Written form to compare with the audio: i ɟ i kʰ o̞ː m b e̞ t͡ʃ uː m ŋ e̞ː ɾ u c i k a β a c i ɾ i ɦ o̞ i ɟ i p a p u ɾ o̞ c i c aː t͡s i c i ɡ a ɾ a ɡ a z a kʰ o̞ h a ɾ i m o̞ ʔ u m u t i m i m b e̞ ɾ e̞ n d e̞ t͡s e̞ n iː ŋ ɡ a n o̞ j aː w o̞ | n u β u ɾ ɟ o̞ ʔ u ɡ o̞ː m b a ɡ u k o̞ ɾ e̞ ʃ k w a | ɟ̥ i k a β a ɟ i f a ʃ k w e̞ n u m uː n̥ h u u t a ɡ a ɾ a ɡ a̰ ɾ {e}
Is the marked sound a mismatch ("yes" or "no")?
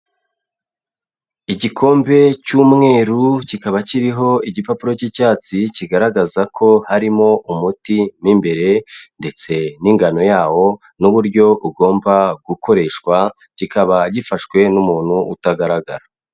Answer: yes